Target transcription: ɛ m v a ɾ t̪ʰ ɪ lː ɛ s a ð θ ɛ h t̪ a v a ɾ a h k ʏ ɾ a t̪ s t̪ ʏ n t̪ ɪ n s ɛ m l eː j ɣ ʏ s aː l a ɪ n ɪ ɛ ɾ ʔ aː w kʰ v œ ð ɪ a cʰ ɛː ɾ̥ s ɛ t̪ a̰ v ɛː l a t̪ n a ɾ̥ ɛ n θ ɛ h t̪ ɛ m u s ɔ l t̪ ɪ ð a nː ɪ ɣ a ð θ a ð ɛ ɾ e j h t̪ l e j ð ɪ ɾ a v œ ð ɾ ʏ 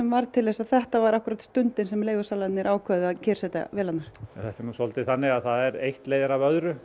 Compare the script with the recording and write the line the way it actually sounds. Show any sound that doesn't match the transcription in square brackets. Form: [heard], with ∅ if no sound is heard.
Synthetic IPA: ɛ m v a ɾ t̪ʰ ɪ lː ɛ s a ð θ ɛ h t̪ a v a ɾ a h k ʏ ɾ a t̪ s t̪ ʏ n t̪ ɪ n s ɛ m l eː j ɣ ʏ s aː l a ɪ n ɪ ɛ ɾ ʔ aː w kʰ v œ ð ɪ a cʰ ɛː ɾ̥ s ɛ t̪ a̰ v ɛː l a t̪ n a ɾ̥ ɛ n θ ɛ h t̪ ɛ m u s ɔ l t̪ ɪ [θ] a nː ɪ ɣ a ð θ a ð ɛ ɾ e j h t̪ l e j ð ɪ ɾ a v œ ð ɾ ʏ